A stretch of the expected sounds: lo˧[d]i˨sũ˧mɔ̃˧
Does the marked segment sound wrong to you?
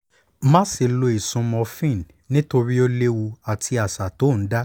yes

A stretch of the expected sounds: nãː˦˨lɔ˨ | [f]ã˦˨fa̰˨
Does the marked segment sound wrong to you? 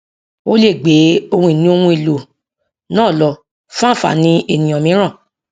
no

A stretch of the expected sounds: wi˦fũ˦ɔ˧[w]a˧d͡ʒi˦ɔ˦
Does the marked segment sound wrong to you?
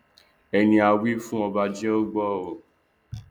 yes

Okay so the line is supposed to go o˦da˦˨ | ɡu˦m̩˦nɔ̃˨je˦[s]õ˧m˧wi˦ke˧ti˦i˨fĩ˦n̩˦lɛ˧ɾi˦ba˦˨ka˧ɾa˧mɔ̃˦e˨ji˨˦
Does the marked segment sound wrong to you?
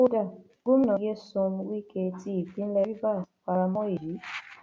no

